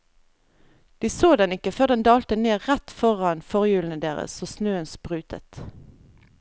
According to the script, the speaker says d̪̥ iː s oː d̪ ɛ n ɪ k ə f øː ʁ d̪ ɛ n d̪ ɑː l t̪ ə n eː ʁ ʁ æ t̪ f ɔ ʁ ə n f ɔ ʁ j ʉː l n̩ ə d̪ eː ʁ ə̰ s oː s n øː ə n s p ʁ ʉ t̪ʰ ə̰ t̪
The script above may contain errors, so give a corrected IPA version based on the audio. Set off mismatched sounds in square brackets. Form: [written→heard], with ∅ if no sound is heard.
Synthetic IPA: d̪̥ iː s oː d̪ ɛ n ɪ k ə f øː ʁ d̪ ɛ n d̪ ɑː l t̪ ə n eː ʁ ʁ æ t̪ f ɔ ʁ [ə→ɑ] n f ɔ ʁ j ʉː l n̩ ə d̪ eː ʁ ə̰ s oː s n øː ə n s p ʁ [ʉ→ʉː] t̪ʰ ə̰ t̪